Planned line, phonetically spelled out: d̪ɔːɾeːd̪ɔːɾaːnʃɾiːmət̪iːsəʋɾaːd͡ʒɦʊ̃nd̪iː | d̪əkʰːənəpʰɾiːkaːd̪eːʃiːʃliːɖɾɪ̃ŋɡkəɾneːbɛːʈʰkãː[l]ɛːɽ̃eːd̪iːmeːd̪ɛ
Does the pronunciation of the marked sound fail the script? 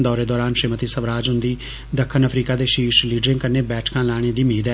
no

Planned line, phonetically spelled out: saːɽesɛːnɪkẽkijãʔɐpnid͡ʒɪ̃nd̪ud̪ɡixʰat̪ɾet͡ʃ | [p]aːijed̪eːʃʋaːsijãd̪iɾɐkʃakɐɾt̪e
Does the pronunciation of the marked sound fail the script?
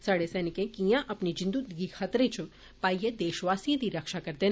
no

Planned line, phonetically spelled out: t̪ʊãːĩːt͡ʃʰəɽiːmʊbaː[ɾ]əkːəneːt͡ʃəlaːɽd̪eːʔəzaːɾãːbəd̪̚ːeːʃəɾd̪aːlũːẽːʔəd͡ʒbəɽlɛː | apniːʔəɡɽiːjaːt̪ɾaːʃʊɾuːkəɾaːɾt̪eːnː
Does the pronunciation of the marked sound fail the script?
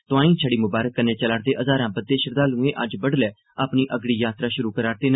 no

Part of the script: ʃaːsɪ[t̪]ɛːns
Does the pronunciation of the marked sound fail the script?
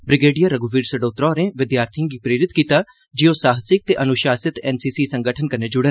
no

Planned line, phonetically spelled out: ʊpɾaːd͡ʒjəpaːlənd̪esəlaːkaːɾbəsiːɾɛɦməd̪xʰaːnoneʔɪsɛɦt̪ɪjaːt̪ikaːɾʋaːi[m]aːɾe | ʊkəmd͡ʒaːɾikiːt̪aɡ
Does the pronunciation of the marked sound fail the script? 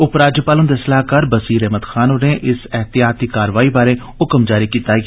yes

